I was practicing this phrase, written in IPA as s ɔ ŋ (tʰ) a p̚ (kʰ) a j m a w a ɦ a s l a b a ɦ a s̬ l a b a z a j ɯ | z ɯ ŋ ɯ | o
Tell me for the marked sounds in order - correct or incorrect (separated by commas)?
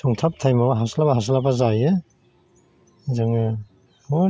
correct, incorrect